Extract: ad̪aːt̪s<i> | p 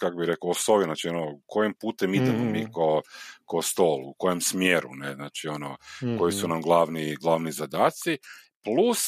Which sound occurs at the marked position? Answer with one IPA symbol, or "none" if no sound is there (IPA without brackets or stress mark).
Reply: i